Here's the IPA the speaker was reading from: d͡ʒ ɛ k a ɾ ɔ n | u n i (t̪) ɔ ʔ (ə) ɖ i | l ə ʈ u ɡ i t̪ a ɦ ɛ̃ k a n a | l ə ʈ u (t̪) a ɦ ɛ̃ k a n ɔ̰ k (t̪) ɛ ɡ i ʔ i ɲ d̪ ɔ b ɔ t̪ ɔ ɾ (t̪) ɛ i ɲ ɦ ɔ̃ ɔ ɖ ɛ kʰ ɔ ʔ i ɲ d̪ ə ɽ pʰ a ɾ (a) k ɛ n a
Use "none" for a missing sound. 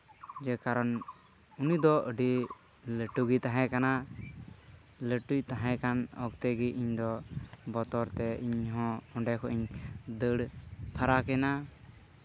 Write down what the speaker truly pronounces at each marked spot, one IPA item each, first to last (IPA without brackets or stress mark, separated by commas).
d̪, ə, t̪, t̪, t̪, a